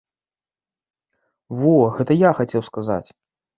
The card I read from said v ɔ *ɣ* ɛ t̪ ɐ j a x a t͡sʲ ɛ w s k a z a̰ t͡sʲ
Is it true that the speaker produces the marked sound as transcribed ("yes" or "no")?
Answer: yes